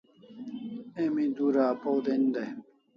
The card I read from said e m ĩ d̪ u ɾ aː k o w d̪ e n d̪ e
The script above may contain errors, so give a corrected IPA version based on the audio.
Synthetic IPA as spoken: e m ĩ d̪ u ɾ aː p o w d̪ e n d̪ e